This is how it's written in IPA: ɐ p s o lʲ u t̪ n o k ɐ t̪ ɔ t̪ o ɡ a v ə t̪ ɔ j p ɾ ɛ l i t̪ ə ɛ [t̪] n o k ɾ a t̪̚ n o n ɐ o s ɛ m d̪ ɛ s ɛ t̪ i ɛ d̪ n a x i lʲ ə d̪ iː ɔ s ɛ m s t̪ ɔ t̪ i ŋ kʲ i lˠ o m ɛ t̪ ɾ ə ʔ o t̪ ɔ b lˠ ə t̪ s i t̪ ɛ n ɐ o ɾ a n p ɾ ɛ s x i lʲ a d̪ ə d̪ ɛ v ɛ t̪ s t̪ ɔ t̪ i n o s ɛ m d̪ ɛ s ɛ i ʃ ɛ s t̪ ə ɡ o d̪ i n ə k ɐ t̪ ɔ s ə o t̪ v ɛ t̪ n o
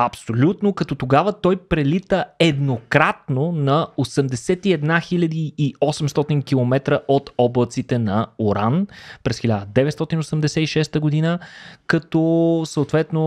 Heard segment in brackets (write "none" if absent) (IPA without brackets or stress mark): d̪